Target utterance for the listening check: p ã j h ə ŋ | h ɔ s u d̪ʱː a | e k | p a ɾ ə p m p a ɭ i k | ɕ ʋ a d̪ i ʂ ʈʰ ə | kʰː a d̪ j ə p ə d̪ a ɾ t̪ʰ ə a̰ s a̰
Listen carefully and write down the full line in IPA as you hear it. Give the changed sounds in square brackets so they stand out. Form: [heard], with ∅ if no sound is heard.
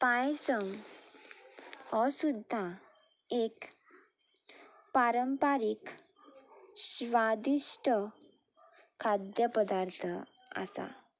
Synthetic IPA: p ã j [s] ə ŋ | h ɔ s u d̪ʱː a | e k | p a ɾ ə [∅] m p a [ɾ] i k | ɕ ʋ a d̪ i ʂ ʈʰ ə | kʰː a d̪ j ə p ə d̪ a ɾ t̪ʰ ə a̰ s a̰